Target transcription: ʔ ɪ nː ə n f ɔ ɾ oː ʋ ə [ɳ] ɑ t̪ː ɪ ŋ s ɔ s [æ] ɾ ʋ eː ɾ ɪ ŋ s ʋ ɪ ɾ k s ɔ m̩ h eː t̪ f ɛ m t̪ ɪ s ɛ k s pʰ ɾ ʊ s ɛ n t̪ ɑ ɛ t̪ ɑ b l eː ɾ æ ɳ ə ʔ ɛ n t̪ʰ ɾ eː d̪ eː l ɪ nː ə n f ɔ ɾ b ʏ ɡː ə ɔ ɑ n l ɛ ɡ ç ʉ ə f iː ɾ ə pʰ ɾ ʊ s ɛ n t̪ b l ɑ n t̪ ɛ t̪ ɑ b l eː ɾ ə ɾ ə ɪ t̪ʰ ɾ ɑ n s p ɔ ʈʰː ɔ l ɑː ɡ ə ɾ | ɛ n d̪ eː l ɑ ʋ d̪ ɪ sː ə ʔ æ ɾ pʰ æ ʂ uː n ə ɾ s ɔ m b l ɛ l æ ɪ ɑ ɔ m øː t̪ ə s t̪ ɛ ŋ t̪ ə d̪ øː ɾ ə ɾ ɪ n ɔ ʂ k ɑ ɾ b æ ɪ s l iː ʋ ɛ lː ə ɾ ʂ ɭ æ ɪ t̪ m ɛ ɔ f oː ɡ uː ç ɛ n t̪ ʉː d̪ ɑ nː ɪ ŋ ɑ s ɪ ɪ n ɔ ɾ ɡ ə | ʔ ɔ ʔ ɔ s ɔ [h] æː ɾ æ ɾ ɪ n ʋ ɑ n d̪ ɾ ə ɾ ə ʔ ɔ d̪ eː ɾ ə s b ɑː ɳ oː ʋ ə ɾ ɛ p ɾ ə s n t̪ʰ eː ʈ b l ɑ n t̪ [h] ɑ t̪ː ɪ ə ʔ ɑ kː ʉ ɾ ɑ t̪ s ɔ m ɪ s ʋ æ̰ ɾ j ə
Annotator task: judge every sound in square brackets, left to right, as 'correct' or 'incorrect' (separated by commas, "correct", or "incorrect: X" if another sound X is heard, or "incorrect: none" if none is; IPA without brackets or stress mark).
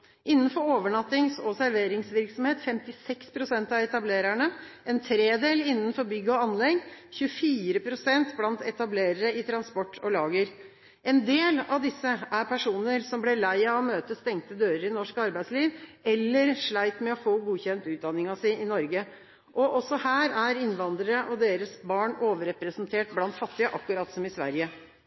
correct, correct, correct, incorrect: f